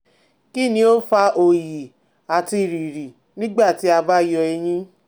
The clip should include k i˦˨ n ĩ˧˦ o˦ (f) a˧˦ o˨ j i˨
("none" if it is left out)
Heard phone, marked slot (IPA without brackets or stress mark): f